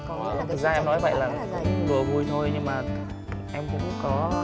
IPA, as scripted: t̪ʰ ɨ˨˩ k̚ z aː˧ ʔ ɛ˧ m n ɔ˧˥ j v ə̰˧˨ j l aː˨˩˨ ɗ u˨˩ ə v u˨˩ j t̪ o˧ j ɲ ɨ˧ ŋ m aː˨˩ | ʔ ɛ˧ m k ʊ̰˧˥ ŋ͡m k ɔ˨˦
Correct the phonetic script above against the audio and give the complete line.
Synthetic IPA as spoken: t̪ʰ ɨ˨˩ k̚ z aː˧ ʔ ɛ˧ m n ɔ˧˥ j v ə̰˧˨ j l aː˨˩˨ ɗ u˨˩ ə v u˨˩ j t̪ʰ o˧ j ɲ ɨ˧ ŋ m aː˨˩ | ʔ ɛ˧ m k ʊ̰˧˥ ŋ͡m k ɔ˨˦